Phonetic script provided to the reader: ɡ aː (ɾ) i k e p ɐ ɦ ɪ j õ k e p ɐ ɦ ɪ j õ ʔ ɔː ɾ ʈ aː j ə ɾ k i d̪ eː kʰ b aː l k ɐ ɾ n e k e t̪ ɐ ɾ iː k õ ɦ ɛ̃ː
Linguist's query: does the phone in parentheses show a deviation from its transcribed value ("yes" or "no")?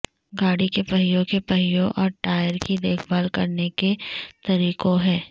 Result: yes